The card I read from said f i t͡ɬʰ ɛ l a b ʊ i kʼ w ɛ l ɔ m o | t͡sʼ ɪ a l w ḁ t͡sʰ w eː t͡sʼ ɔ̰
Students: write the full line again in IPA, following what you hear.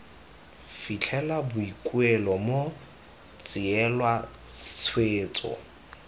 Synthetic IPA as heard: f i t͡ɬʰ ɛ l a b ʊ i kʼ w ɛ l ɔ m o | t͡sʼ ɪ ɛ l w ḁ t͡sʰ w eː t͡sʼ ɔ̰

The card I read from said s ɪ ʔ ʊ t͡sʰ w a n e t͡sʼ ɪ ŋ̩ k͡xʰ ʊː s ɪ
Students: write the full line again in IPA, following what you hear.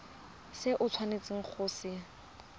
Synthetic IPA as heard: s ɪ ʔ ʊ t͡sʰ w a n e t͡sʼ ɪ ŋ̩ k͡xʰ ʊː s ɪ

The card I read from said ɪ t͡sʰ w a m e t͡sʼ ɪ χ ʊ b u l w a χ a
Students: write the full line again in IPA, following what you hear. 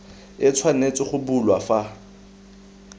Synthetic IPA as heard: ɪ t͡sʰ w a n e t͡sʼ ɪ χ ʊ b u l w a f a

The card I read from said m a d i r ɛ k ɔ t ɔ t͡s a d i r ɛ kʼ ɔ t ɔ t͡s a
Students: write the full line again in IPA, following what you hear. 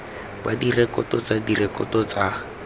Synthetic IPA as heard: b a d i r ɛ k ɔ t ɔ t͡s a d i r ɛ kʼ ɔ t ɔ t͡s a

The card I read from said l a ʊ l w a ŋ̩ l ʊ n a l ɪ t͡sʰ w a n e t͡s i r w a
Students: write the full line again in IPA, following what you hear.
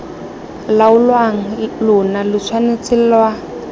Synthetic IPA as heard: l a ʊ l w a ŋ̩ l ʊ n a l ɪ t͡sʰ w a n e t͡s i l w a

